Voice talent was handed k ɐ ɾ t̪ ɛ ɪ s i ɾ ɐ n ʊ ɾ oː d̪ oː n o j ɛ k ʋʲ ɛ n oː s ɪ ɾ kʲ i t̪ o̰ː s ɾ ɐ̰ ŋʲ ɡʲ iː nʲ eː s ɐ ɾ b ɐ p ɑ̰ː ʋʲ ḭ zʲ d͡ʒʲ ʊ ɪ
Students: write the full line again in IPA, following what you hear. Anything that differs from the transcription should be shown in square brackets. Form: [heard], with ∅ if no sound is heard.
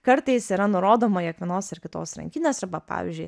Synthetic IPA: k ɐ ɾ t̪ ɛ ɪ s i ɾ ɐ n ʊ ɾ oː d̪ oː [m] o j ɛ k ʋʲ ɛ n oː s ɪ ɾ kʲ [ɪ] t̪ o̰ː s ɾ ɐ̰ ŋʲ [kʲ] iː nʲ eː s ɐ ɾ b ɐ p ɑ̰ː ʋʲ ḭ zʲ d͡ʒʲ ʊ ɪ